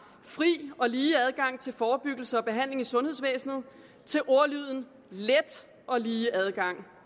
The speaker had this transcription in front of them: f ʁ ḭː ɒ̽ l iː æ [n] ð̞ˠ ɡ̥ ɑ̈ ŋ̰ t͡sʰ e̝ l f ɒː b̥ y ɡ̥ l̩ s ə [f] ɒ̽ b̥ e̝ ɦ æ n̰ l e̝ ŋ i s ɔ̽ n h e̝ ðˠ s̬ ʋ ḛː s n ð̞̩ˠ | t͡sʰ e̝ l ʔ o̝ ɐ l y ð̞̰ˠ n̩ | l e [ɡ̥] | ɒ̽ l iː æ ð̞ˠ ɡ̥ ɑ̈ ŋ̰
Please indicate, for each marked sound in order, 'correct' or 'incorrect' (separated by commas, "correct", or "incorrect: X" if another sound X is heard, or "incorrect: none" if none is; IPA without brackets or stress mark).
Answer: incorrect: none, incorrect: none, incorrect: d̥